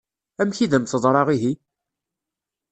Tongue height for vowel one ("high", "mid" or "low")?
low